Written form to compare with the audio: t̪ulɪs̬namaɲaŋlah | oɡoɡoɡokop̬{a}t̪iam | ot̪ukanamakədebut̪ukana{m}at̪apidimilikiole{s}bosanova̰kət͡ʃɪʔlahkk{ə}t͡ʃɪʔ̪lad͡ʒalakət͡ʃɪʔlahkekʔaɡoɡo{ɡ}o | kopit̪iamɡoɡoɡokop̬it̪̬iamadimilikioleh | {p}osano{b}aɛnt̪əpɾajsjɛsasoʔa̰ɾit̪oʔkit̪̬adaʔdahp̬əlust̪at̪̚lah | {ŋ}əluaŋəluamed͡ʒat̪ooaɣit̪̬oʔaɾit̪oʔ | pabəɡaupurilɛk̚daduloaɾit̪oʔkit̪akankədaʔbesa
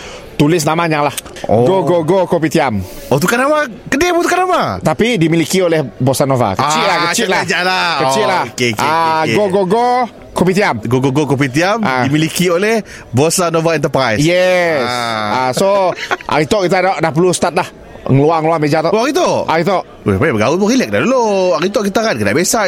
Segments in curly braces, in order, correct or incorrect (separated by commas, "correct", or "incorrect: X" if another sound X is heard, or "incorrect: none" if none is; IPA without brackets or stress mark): incorrect: i, correct, incorrect: h, correct, correct, incorrect: b, incorrect: v, correct